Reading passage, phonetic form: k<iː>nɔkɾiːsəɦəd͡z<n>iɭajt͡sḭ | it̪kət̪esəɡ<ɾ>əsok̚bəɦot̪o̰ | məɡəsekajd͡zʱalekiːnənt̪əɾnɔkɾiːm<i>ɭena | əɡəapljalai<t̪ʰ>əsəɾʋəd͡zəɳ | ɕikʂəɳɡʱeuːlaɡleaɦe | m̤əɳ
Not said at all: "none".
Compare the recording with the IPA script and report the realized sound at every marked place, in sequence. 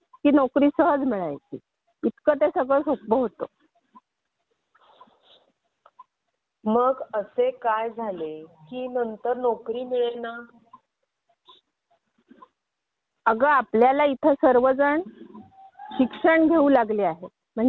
iː, m, ɭ, i, t̪ʰ

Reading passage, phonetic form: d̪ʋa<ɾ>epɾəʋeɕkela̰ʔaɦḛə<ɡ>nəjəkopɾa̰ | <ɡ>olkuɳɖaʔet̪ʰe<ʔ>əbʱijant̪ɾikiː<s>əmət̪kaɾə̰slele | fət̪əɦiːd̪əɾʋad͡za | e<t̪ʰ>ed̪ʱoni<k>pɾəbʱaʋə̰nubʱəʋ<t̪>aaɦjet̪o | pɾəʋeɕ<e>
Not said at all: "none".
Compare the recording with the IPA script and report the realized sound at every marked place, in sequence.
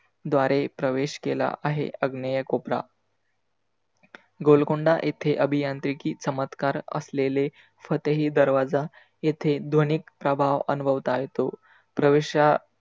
ɾ, ɡ, ɡ, ʔ, t͡s, t̪ʰ, k, t̪, a

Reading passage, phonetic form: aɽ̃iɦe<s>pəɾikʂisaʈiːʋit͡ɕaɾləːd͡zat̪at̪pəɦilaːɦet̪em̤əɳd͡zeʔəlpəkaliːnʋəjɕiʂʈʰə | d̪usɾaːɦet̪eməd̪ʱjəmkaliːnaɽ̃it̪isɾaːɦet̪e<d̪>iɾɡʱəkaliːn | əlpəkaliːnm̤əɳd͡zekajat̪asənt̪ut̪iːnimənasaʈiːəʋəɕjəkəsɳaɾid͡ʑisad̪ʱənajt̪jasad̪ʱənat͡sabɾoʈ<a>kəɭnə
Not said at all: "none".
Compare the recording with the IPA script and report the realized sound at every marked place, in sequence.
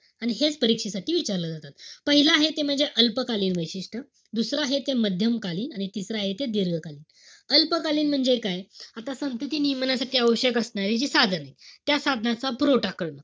t͡s, d̪, a

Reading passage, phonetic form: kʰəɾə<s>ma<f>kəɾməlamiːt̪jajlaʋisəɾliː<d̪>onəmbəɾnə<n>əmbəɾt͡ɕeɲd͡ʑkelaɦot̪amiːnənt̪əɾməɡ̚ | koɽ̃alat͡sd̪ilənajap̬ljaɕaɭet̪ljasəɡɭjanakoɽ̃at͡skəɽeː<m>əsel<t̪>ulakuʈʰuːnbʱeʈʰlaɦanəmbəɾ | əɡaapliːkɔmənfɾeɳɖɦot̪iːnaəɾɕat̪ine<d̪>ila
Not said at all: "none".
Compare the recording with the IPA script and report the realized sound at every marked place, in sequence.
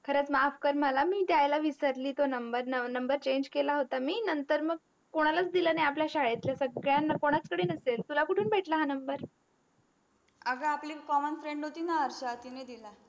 t͡s, f, t̪, n, n, t̪, d̪

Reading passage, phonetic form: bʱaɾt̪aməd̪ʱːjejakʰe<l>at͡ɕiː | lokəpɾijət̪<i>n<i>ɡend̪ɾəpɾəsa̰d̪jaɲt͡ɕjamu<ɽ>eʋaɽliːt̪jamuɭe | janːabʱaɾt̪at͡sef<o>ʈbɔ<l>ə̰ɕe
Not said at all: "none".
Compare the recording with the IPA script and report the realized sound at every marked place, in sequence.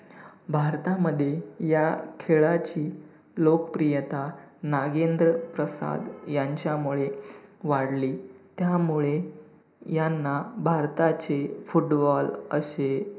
ɭ, a, a, ɭ, u, l

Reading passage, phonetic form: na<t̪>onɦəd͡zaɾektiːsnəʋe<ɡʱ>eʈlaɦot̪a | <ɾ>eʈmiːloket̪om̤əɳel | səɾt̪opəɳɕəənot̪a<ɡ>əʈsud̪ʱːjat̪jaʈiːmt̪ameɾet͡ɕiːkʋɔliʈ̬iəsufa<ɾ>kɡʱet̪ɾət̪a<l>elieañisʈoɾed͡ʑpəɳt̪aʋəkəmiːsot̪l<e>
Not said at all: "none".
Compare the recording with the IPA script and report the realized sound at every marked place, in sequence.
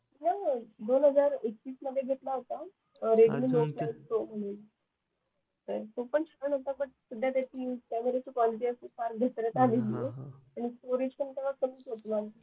d̪, ɡʱ, ɾ, b, ɾ, l, a

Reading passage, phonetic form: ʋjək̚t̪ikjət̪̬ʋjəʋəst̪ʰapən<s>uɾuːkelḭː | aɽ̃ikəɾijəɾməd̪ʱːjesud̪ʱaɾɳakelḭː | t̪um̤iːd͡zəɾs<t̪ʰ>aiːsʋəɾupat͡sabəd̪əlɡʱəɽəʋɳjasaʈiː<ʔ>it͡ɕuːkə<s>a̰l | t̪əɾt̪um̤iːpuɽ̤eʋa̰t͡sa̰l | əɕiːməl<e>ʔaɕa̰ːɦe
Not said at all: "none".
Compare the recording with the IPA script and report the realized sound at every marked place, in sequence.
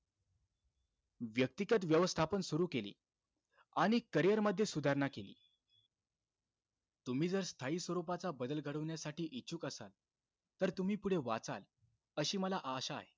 s, t̪ʰ, ʔ, s, a

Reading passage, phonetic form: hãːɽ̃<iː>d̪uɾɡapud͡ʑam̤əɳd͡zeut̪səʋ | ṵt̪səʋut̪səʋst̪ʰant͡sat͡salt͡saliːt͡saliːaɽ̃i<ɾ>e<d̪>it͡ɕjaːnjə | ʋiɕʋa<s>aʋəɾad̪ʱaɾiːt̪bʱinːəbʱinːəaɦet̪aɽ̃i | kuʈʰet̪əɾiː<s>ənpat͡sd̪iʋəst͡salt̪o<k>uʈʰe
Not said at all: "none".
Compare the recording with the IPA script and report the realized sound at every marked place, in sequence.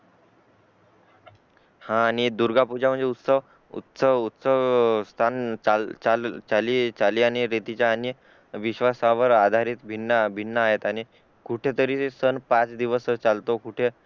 i, ɾ, t̪, s, s, k

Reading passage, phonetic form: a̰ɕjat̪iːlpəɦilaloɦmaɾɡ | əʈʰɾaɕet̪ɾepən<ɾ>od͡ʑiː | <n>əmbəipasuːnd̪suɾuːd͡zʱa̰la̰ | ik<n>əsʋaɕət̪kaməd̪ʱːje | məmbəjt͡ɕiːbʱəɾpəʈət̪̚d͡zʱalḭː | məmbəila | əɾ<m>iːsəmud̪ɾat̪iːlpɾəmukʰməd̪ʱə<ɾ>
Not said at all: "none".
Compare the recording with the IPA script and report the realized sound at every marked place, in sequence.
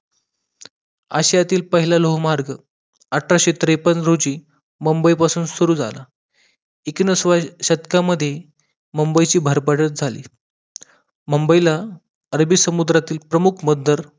ɾ, m, n, b, ɾ

